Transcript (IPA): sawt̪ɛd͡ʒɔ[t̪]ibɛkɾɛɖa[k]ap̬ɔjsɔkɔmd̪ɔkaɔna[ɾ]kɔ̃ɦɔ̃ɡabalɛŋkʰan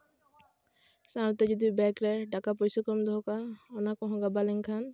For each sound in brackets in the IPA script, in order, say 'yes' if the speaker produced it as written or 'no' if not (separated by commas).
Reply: no, yes, no